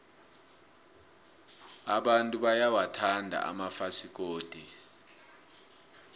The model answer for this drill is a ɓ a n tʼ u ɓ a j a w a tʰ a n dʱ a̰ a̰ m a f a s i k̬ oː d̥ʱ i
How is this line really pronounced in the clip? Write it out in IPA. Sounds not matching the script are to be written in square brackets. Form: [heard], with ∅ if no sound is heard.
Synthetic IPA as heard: a ɓ a n tʼ u ɓ a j a w a tʰ a n dʱ a̰ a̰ m a f a s i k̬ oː d̥ʱ i